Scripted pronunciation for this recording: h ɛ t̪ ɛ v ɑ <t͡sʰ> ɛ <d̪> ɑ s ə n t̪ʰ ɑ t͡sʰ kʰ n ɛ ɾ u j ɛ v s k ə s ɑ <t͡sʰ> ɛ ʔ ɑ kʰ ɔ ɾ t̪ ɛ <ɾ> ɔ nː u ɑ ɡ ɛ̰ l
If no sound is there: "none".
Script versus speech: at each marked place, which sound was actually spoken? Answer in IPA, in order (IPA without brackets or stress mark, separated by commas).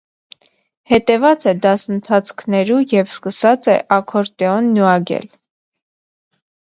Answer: t͡s, d̪, t͡s, none